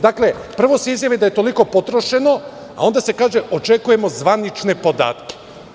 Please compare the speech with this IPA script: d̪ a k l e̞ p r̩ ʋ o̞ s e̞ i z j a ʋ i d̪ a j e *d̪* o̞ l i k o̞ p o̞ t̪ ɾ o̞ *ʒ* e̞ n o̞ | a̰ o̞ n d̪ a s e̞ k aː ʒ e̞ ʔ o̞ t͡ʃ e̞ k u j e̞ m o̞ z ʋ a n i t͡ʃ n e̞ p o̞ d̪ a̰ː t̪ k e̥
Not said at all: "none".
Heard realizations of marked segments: t̪, ʃ

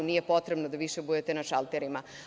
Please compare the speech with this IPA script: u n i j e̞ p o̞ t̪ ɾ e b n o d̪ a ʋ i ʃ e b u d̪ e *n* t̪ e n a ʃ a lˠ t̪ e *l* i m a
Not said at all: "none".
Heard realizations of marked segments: none, ɾ

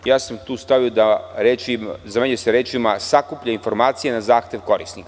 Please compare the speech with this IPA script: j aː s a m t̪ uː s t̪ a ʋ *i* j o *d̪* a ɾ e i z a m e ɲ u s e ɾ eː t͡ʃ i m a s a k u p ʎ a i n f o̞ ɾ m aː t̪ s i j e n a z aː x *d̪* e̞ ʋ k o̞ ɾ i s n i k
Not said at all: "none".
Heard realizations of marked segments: i, d̪, t̪

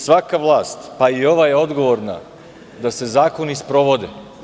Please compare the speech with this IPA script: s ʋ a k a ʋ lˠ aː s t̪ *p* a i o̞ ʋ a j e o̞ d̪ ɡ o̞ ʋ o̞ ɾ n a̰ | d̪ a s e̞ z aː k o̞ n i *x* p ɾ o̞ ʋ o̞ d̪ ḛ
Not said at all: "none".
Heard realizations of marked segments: p, s

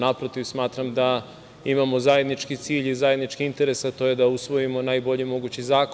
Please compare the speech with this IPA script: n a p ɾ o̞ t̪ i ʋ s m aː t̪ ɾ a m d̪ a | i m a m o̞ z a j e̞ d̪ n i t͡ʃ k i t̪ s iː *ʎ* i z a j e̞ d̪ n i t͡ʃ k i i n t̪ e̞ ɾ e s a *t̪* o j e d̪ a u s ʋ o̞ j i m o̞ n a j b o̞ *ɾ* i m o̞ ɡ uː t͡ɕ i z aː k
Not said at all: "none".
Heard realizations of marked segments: ʎ, t̪, ʎ

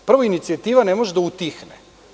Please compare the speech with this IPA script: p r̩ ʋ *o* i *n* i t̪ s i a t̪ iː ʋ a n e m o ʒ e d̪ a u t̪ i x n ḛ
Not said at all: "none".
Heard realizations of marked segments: o, n

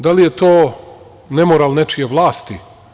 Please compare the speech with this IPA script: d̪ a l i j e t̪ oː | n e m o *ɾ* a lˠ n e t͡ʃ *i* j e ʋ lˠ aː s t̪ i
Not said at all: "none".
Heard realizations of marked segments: ɾ, i

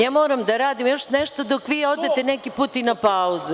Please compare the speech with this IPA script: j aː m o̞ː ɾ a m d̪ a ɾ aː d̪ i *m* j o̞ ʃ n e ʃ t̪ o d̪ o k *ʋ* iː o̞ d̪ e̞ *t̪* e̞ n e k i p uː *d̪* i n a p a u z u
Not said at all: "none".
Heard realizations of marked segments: m, ʋ, t̪, t̪

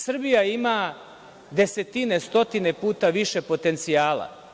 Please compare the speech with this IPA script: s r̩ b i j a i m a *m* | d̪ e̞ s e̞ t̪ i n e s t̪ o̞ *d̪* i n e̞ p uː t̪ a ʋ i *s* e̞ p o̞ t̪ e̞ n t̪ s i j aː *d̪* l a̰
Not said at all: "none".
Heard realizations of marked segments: none, t̪, ʃ, none

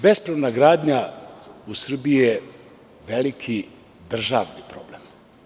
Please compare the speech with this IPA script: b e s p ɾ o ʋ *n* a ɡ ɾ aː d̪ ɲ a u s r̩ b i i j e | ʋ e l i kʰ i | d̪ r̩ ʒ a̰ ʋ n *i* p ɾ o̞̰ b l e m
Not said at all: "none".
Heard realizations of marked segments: n, i

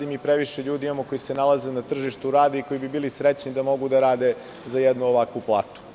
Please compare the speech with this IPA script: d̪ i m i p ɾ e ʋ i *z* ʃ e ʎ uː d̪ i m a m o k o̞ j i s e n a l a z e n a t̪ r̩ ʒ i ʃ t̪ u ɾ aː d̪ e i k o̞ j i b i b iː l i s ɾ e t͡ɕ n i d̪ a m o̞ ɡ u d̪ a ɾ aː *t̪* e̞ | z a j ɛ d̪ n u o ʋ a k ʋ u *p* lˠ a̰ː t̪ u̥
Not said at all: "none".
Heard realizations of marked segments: none, d̪, p

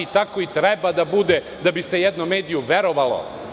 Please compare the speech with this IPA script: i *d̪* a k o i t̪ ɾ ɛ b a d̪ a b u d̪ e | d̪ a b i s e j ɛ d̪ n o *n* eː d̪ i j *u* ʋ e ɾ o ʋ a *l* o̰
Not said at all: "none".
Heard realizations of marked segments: t̪, m, u, l

